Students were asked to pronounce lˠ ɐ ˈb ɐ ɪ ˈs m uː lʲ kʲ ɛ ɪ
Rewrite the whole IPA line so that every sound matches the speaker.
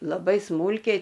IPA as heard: lˠ ɐ ˈb ɐ ɪ ˈs m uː lʲ kʲ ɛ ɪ